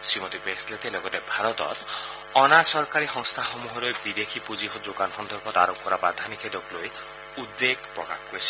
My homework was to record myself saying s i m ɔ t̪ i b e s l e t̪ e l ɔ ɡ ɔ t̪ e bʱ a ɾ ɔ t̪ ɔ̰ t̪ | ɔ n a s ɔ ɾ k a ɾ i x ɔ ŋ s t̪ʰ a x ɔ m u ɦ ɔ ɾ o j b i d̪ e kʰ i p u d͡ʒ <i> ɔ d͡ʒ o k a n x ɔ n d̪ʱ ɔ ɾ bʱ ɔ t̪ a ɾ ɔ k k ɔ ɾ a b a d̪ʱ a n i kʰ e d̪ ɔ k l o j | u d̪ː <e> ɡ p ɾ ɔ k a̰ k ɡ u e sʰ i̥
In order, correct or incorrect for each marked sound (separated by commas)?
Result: correct, correct